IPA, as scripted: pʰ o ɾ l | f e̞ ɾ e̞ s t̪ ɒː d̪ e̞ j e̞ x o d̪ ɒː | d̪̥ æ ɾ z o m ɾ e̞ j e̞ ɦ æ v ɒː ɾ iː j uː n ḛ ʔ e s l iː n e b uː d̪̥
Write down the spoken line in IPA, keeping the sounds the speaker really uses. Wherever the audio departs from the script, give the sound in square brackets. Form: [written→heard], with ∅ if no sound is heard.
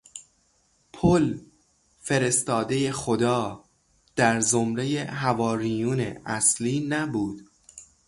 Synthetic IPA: pʰ o [ɾ→∅] l | f e̞ ɾ e̞ s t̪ ɒː d̪ e̞ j e̞ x o d̪ ɒː | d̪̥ æ ɾ z o m ɾ e̞ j e̞ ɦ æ v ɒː ɾ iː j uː n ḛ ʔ [e→æ] s l iː n [e→æ] b uː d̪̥

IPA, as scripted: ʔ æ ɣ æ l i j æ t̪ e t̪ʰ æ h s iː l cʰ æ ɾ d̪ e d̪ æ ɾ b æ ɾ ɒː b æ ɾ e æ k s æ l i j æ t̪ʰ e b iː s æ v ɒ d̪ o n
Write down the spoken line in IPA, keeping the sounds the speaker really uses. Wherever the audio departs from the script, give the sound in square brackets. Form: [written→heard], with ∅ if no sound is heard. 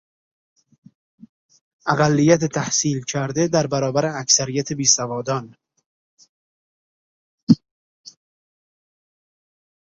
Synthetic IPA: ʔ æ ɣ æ [l→lː] i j æ t̪ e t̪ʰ æ h s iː l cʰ æ ɾ d̪ e d̪ æ ɾ b æ ɾ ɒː b æ ɾ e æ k s æ [l→ɾ] i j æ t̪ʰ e b iː s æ v [ɒ→ɒː] d̪ [o→ɒ] n

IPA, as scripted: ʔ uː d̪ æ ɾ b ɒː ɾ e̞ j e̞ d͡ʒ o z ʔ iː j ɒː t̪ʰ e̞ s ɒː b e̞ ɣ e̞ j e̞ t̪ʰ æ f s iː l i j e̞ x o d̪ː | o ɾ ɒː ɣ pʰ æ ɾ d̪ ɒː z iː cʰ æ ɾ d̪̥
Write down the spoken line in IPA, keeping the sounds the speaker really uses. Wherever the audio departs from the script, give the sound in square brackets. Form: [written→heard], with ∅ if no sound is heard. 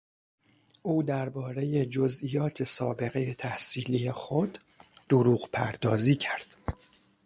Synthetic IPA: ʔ uː d̪ æ ɾ b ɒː ɾ e̞ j e̞ d͡ʒ o z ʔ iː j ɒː t̪ʰ e̞ s ɒː b e̞ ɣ e̞ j e̞ t̪ʰ æ [f→h] s iː l i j e̞ x o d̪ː | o ɾ [ɒː→uː] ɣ pʰ æ ɾ d̪ ɒː z iː cʰ æ ɾ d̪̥

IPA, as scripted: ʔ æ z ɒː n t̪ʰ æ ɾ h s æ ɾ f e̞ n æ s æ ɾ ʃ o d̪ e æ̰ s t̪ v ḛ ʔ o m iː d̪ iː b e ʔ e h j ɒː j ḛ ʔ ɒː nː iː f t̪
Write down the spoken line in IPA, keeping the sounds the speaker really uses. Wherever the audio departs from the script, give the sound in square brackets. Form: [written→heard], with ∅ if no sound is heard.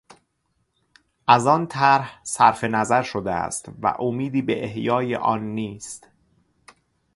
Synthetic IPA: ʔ æ z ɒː n t̪ʰ æ ɾ h s æ ɾ f e̞ n æ [s→z] æ ɾ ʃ o d̪ e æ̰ s t̪ v [ḛ→æ̰] ʔ o m iː d̪ iː b e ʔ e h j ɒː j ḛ ʔ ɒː nː iː [f→s] t̪

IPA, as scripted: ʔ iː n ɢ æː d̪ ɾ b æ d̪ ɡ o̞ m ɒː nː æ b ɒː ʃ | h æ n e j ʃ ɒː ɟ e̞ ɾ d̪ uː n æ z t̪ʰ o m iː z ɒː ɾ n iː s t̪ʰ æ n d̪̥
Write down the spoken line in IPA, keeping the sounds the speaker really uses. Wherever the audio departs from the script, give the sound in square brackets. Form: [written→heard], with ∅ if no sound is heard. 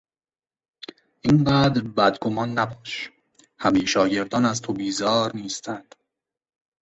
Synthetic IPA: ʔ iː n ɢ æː d̪ ɾ b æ d̪ ɡ o̞ m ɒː nː æ b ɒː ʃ | h æ [n→m] e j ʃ ɒː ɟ e̞ ɾ d̪ [uː→ɒː] n æ z t̪ʰ o [m→b] iː z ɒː ɾ n iː s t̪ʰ æ n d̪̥

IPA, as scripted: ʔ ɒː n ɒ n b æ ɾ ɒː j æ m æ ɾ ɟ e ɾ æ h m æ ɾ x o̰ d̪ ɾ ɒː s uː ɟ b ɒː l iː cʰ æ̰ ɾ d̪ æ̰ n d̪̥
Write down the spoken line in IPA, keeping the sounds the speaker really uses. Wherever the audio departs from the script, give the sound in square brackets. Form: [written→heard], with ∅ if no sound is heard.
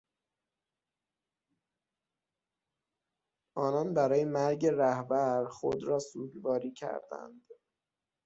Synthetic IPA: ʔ ɒː n ɒ n b æ ɾ ɒː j [æ→e] m æ ɾ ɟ e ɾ æ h [m→b] æ ɾ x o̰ d̪ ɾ ɒː s uː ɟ b ɒː [l→ɾ] iː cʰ æ̰ ɾ d̪ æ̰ n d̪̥

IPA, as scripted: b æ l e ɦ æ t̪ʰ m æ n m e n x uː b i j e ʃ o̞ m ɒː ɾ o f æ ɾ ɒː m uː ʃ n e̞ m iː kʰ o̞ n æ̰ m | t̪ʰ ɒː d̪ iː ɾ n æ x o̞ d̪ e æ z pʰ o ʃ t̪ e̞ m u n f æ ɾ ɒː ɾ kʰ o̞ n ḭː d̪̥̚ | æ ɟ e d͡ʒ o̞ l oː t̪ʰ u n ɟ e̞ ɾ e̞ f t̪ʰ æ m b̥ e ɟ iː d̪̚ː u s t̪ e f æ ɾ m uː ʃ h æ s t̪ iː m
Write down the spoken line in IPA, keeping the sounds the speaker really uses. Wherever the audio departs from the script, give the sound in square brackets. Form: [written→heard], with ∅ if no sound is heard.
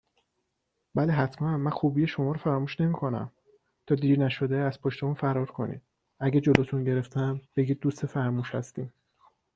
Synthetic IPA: b æ l e ɦ æ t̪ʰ m æ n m [e→æ] n x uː b i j e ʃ o̞ m ɒː ɾ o f æ ɾ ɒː m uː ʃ n e̞ m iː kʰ o̞ n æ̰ m | t̪ʰ ɒː d̪ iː ɾ n æ [x→ʃ] o̞ d̪ e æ z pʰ o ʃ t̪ e̞ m u n f æ ɾ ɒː ɾ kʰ o̞ n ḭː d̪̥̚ | æ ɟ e d͡ʒ o̞ l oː t̪ʰ u n ɟ e̞ ɾ e̞ f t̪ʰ æ m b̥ e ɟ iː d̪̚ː u s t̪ e f æ ɾ m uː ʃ h æ s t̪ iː m

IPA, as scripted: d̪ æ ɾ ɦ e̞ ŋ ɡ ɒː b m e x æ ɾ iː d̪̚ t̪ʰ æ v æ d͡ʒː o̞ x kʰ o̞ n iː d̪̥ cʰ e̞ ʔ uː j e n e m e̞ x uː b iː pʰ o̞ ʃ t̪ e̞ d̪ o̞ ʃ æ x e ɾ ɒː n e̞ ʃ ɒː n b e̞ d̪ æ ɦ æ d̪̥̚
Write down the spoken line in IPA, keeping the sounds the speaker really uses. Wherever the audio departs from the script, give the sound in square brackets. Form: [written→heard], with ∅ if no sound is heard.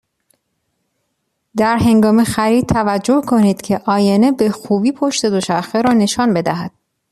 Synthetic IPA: d̪ æ ɾ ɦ e̞ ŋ ɡ ɒː [b→∅] m e x æ ɾ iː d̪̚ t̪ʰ æ v æ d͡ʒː o̞ [x→h] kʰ o̞ n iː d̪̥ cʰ e̞ ʔ [uː→ɒː] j e n e [m→b] e̞ x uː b iː pʰ o̞ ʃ t̪ e̞ d̪ o̞ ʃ æ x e ɾ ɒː n e̞ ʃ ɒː n b e̞ d̪ æ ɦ æ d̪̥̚

